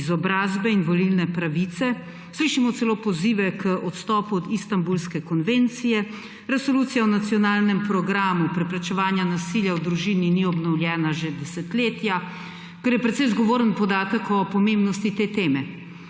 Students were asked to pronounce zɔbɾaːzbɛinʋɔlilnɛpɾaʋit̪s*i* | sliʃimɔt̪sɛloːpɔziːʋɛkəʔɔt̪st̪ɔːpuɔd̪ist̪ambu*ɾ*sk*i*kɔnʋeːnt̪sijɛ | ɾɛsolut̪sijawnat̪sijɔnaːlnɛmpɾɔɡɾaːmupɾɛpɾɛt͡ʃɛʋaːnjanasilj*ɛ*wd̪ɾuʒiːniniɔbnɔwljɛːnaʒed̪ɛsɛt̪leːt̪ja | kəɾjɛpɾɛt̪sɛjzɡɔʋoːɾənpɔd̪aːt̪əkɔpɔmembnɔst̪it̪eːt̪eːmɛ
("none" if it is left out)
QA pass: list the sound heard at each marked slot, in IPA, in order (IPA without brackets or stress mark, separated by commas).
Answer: ɛ, l, ɛ, a